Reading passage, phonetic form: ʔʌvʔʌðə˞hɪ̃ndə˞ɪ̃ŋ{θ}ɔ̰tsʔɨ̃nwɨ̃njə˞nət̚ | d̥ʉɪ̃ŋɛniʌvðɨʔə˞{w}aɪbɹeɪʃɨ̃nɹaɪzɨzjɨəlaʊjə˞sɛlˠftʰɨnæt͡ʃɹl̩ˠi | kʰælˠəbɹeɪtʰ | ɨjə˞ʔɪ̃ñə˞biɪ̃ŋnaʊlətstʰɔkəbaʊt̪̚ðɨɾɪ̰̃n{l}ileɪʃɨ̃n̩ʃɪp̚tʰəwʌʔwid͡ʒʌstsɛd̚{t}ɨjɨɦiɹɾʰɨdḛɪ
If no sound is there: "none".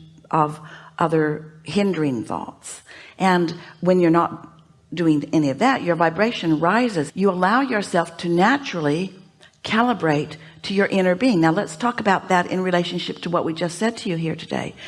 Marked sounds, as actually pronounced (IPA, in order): θ, v, ɹ, tʰ

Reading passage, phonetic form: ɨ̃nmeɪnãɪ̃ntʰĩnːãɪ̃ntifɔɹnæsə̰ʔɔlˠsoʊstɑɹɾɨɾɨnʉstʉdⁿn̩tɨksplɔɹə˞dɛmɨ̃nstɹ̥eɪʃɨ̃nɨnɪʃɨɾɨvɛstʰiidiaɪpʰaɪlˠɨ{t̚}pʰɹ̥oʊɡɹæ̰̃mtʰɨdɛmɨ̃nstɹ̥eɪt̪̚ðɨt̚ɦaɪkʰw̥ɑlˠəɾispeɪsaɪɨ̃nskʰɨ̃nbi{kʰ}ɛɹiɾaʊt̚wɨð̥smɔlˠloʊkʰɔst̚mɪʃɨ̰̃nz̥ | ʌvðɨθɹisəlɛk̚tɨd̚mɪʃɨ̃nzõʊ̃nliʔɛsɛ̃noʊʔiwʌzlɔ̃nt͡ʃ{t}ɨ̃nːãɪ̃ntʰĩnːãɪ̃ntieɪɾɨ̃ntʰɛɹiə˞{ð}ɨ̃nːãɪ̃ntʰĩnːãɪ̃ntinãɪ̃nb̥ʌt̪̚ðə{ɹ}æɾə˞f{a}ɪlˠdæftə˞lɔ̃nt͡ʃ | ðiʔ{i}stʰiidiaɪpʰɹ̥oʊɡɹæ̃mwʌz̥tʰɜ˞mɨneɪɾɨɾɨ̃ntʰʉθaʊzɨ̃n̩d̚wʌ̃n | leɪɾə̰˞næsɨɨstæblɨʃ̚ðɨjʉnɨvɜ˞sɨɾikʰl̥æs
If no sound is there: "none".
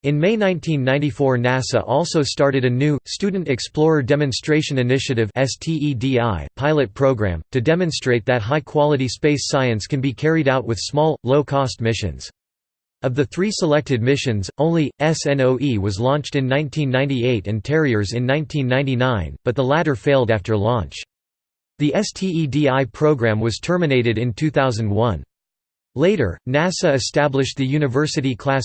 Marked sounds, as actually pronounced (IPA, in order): t̚, kʰ, t, z, l, e, ɛ

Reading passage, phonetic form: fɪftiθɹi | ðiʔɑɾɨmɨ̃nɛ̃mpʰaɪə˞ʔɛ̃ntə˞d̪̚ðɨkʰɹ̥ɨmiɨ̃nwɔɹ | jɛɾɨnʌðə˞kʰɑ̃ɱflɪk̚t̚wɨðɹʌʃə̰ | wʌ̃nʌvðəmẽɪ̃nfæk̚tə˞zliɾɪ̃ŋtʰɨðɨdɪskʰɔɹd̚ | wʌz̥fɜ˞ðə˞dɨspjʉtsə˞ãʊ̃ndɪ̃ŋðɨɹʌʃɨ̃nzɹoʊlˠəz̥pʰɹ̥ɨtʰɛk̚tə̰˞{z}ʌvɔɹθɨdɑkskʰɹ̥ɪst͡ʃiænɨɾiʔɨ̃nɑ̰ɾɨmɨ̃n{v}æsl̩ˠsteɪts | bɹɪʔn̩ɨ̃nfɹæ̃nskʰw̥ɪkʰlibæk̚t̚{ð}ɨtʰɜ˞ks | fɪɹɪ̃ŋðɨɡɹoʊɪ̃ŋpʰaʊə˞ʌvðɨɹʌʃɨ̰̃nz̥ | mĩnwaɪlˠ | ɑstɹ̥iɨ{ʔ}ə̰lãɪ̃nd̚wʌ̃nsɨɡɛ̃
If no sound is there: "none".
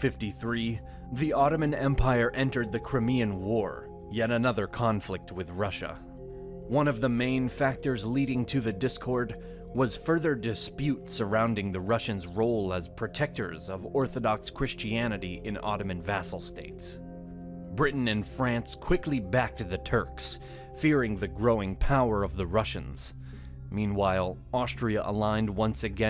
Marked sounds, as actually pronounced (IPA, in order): z, v, ð, ʔ

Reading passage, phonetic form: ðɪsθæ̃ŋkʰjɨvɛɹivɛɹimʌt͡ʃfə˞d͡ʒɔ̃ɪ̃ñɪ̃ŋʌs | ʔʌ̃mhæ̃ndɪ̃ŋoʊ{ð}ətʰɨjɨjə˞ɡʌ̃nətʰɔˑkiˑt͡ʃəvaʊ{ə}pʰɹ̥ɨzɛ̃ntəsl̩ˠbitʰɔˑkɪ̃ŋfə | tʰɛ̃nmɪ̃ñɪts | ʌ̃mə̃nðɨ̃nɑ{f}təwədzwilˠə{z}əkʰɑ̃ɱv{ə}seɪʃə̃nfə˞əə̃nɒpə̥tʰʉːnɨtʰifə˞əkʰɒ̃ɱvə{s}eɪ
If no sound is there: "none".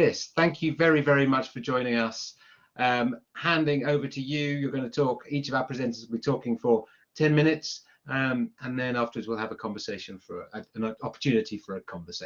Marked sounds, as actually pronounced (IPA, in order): v, ə, f, v, ə, s

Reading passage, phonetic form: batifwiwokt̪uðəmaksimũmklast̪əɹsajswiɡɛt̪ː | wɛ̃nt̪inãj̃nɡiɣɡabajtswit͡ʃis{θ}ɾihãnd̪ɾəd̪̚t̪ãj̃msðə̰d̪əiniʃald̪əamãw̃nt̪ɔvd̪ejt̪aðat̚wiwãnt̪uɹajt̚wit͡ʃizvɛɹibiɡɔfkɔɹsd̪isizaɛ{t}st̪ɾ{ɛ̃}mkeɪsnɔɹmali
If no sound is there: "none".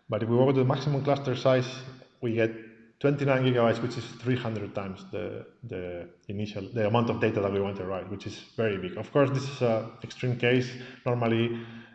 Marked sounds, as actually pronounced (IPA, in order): θ, k, ĩ

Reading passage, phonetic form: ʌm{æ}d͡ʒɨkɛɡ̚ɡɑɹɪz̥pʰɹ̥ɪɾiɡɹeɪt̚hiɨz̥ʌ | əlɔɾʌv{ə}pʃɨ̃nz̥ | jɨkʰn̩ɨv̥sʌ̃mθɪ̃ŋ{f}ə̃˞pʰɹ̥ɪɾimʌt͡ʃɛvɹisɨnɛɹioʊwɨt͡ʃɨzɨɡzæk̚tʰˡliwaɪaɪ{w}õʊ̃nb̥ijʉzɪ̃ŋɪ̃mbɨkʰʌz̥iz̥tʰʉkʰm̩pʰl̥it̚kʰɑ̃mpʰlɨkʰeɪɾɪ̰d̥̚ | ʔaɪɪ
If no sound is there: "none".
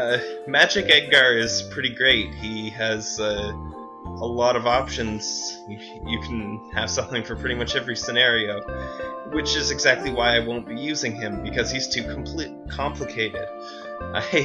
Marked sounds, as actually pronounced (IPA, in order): æ, ɑ, f, w

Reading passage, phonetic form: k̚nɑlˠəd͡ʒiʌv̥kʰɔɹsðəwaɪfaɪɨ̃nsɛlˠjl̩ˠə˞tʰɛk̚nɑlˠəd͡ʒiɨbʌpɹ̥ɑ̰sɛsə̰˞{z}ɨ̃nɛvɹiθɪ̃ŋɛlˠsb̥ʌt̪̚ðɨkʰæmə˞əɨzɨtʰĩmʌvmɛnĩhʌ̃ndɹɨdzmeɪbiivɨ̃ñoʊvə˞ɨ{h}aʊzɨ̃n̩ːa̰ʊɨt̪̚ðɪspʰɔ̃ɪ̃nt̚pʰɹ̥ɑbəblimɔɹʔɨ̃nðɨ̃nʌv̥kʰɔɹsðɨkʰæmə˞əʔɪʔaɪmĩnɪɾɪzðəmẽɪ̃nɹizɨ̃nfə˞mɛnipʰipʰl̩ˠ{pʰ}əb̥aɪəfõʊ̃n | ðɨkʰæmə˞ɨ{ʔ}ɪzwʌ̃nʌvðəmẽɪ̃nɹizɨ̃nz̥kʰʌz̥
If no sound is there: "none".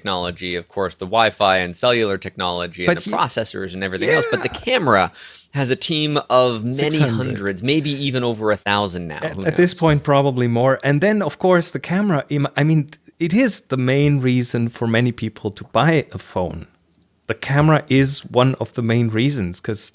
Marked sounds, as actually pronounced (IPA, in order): z, θ, tʰ, ʔ

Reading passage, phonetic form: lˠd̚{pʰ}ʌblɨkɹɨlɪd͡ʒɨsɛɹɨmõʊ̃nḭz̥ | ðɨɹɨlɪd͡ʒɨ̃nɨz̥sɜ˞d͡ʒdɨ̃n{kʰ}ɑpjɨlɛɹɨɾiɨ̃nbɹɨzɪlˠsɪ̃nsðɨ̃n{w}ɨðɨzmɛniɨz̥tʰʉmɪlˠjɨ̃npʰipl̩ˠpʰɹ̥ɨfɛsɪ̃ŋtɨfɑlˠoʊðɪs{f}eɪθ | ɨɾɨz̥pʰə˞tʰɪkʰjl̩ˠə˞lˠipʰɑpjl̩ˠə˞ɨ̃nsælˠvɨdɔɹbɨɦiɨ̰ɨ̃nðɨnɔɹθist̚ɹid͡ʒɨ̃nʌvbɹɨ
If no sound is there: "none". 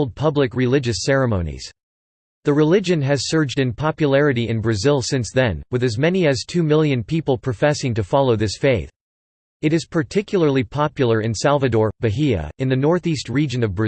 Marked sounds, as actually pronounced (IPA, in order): pʰ, pʰ, w, f

